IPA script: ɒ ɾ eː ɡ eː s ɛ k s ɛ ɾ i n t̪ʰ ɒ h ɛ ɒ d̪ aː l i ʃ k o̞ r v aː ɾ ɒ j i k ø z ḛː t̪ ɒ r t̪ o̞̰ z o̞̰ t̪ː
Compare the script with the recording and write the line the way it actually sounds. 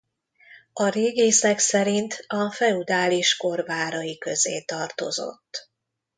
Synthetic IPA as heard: ɒ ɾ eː ɡ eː s ɛ k s ɛ ɾ i n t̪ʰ ɒ f ɛ u d̪ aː l i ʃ k o̞ r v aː ɾ ɒ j i k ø z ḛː t̪ ɒ r t̪ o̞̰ z o̞̰ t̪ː